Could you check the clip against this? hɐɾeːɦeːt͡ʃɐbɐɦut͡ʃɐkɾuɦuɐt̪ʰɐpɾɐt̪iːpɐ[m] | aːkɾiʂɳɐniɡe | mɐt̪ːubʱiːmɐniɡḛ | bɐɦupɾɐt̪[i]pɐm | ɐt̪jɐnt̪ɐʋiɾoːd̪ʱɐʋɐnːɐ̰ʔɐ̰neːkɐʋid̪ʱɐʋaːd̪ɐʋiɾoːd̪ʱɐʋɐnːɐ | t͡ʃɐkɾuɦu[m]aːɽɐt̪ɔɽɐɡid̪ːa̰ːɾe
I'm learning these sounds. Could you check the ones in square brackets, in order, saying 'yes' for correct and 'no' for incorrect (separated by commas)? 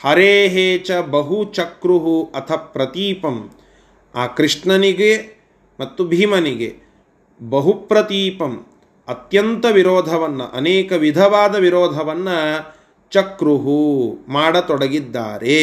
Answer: yes, no, yes